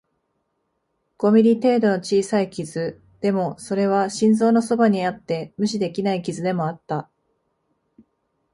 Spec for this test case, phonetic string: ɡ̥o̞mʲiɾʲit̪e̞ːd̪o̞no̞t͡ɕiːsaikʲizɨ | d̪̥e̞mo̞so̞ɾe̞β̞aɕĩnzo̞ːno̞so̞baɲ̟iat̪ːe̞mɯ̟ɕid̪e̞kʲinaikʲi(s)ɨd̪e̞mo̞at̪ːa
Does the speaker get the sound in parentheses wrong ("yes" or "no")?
yes